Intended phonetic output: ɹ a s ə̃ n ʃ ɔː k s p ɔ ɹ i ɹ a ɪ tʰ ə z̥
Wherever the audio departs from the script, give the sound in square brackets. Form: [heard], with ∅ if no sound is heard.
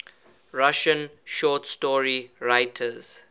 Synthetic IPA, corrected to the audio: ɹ a [ʃ] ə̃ n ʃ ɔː [t] s [t] ɔ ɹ i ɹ a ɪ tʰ ə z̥

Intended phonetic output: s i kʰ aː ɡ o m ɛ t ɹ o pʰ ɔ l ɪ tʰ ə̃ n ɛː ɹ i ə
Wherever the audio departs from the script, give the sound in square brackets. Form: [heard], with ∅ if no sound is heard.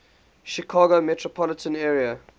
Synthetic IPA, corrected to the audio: [ʃ] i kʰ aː ɡ o m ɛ t ɹ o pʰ ɔ l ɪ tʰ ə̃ n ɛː ɹ i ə

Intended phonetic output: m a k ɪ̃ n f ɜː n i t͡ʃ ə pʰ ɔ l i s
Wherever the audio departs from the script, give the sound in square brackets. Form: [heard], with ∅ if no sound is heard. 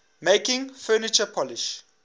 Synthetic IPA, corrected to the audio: m [e] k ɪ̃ [ŋ] f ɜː n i t͡ʃ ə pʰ ɔ l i [ʃ]

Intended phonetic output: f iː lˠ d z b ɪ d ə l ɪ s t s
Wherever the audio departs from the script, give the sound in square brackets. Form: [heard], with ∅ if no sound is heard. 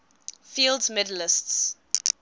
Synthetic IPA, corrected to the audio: f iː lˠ d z [m] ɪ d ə l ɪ s t s

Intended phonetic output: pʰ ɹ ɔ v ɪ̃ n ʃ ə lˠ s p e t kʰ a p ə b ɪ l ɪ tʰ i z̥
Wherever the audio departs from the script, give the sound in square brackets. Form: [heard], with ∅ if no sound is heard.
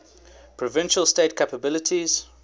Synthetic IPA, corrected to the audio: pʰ ɹ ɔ v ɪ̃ n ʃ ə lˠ s [t] e t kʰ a p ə b ɪ l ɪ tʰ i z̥

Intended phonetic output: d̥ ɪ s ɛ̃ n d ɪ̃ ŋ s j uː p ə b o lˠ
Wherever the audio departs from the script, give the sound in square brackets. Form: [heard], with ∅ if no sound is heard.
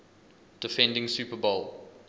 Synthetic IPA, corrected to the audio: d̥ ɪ [f] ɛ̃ n d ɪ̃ ŋ s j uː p ə b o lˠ

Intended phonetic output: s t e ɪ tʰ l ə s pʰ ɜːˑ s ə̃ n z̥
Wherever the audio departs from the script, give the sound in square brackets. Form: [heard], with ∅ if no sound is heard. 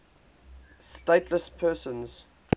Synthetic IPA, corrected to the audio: s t e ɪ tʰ l ə s pʰ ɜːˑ s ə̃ n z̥

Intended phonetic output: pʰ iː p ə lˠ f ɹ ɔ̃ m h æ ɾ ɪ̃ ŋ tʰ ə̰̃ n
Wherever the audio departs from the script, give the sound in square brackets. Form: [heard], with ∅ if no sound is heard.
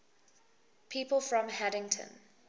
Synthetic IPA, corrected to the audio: pʰ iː p ə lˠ f ɹ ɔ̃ m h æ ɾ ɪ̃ ŋ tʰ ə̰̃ n

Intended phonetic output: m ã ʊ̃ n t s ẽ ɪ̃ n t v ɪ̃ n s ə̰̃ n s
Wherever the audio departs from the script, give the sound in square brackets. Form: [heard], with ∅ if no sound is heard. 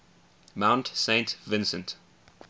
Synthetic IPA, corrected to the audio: m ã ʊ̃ n t s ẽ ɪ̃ n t v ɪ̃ n s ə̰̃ n [t]

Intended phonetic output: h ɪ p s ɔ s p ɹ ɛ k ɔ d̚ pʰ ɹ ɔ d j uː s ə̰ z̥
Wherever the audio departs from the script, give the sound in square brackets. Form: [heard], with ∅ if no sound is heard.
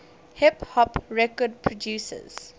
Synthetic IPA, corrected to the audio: h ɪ p [h] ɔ [∅] p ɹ ɛ k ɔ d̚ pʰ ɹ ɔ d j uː s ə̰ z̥

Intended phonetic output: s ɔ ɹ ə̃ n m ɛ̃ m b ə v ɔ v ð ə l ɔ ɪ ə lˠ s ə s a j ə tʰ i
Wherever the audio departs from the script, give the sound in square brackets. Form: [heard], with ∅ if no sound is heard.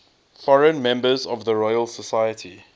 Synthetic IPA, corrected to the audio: [f] ɔ ɹ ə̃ n m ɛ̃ m b ə [z] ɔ v ð ə [ɹ] ɔ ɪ ə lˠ s ə s a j ə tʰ i

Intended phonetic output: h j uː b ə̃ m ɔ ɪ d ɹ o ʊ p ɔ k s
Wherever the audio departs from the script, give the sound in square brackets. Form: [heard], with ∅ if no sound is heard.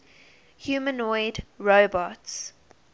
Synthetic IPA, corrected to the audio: h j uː [m] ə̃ [n] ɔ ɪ d ɹ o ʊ [b] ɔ [t] s

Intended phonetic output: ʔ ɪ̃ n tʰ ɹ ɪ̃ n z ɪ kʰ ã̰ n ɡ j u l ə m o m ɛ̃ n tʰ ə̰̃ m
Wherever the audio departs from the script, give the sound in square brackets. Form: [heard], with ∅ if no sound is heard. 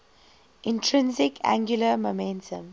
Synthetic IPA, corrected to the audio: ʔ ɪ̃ n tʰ ɹ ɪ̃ n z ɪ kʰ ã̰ [ŋ] ɡ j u l ə m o m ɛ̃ n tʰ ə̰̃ m

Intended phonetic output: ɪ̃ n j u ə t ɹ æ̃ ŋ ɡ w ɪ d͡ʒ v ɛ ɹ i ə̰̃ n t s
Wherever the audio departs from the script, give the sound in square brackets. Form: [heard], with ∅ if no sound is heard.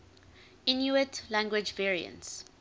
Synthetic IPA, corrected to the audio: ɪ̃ n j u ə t [l] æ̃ ŋ ɡ w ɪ d͡ʒ v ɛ ɹ i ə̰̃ n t s

